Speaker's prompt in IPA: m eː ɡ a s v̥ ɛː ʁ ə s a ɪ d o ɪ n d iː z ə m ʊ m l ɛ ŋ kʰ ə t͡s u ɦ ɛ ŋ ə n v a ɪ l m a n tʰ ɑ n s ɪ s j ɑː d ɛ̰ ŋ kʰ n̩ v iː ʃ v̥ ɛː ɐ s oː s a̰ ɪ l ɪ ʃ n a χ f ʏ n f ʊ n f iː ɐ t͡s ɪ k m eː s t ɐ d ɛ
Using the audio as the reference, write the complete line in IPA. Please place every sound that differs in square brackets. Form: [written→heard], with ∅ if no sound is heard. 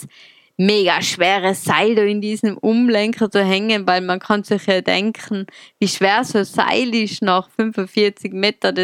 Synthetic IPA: m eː ɡ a [s→ʃ] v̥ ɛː ʁ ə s a ɪ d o ɪ n d iː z ə m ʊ m l ɛ ŋ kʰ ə t͡s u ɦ ɛ ŋ ə n v a ɪ l m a n [tʰ→kʰ] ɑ n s ɪ [s→χ] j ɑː d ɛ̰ ŋ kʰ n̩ v iː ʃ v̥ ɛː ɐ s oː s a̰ ɪ l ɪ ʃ n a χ f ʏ n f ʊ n f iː ɐ t͡s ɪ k m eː [s→∅] t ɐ d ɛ